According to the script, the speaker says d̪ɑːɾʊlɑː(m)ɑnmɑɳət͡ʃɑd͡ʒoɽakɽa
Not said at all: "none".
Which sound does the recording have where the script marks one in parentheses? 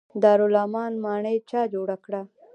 m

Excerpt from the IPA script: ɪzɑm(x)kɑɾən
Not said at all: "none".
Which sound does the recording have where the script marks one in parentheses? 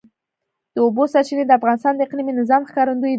x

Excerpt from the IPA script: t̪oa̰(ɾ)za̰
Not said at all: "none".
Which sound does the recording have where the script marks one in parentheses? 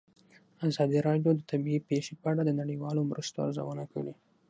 ɾ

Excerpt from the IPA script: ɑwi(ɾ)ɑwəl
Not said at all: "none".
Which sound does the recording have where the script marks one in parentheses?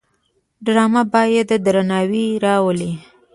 ɾ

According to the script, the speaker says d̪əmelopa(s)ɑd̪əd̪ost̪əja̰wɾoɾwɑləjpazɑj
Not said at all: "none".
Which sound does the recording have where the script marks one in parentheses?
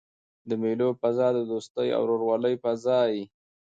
z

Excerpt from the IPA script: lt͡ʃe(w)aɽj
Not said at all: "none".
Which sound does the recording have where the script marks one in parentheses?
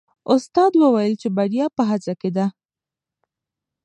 b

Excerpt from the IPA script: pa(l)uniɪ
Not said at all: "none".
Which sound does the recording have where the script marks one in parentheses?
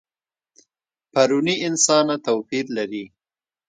ɾ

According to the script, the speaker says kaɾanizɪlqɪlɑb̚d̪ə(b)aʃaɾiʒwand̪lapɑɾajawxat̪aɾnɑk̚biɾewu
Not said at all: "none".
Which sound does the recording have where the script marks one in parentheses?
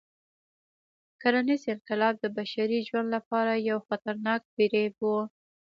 b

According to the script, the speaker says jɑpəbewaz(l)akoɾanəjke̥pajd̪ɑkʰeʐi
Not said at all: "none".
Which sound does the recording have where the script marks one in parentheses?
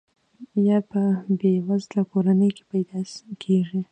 l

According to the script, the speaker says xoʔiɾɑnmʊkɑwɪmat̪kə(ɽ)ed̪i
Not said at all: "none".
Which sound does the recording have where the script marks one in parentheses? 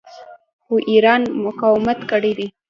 ɽ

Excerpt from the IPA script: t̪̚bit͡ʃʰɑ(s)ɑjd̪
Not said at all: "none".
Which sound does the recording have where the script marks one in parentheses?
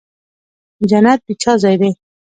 z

